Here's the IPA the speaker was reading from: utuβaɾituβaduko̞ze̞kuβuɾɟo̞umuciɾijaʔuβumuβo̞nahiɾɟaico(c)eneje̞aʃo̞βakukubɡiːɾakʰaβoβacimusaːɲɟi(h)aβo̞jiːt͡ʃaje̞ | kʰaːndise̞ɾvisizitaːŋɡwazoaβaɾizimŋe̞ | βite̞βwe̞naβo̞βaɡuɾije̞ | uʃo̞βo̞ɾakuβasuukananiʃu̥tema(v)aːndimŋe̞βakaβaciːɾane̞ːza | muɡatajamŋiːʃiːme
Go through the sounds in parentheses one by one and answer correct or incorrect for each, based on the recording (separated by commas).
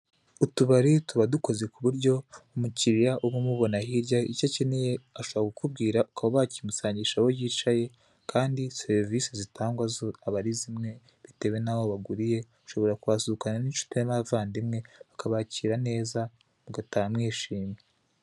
correct, incorrect, correct